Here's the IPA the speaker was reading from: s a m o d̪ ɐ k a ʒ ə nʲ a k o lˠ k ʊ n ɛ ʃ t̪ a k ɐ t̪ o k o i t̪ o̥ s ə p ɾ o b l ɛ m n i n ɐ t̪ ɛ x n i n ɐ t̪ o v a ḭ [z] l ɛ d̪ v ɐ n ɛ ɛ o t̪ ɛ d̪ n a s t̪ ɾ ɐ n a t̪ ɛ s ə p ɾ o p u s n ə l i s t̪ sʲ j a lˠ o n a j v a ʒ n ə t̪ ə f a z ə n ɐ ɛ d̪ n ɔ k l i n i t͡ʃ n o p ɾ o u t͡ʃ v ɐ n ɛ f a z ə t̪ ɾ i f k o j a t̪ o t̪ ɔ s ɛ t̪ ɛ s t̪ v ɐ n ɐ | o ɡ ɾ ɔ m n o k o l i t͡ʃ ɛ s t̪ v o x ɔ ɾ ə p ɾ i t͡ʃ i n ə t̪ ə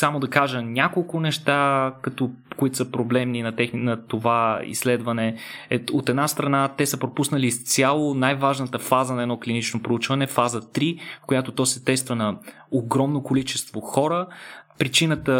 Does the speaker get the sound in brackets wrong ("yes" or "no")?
yes